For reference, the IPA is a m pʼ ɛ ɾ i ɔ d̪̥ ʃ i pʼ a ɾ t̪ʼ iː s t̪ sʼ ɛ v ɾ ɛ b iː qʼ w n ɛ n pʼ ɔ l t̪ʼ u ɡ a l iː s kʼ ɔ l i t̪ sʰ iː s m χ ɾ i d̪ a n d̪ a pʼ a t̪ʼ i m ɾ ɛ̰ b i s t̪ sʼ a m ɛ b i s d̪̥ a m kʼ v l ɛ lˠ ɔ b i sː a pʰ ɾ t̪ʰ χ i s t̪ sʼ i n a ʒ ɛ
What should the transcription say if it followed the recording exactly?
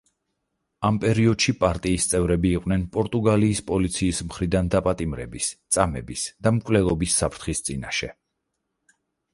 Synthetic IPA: a m pʼ ɛ ɾ i ɔ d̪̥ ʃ i pʼ a ɾ t̪ʼ iː s t̪ sʼ ɛ v ɾ ɛ b iː qʼ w n ɛ n pʼ ɔ ɾ t̪ʼ u ɡ a l iː s pʼ ɔ l i t̪ sʰ iː s m χ ɾ i d̪ a n d̪ a pʼ a t̪ʼ i m ɾ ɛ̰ b i s t̪ sʼ a m ɛ b i s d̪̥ a m kʼ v l ɛ lˠ ɔ b i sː a pʰ ɾ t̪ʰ χ i s t̪ sʼ i n a ʃ ɛ